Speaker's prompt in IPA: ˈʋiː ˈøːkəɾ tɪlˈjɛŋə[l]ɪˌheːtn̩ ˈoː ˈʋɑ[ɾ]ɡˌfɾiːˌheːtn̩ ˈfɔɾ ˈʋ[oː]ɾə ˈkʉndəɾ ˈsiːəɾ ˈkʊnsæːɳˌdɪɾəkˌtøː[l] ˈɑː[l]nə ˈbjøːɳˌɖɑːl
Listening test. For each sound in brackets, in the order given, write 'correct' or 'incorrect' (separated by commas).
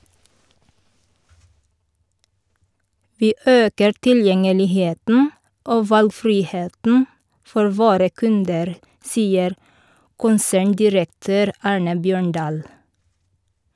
correct, incorrect, correct, incorrect, incorrect